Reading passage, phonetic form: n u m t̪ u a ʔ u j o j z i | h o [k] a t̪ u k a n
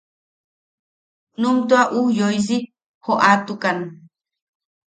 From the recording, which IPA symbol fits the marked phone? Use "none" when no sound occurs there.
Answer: ʔ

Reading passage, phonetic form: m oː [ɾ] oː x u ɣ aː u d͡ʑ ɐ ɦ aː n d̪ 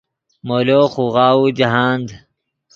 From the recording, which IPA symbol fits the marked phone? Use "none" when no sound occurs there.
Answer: l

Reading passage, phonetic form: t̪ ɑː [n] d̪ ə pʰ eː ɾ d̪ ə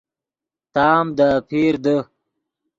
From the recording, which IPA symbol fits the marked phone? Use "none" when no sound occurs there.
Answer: m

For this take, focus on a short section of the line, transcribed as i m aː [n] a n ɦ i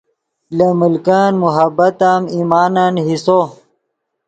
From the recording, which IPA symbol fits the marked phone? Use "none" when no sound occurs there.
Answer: n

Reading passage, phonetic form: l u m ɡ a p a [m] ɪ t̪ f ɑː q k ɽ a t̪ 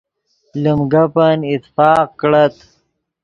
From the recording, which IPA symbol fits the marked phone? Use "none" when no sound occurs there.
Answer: n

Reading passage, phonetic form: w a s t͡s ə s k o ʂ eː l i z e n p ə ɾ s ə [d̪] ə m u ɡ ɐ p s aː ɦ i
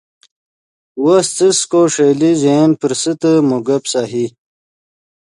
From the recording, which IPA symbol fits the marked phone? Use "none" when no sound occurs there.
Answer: t̪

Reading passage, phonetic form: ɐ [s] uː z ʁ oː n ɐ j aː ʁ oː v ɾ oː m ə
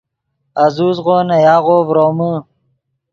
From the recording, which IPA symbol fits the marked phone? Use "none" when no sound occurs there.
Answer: z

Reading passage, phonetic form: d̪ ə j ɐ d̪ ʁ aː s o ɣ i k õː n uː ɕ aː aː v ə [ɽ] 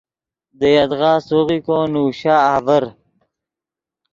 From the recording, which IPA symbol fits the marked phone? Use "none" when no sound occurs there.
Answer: ɾ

